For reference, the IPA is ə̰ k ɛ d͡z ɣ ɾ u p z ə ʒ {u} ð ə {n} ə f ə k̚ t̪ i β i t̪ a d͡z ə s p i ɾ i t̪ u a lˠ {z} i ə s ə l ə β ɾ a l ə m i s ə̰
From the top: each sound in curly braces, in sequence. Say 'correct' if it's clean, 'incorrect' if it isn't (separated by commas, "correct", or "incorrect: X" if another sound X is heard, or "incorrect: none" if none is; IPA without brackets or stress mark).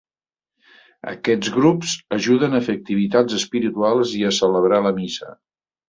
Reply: correct, correct, correct